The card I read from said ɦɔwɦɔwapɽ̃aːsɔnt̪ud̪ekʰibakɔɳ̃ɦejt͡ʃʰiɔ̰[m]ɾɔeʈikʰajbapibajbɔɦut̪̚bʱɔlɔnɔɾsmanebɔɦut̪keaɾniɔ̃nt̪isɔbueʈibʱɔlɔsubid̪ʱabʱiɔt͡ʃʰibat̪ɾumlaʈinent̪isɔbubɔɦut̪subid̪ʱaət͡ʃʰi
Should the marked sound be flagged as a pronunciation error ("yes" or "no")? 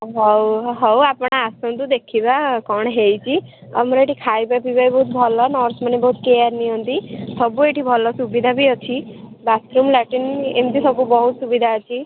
no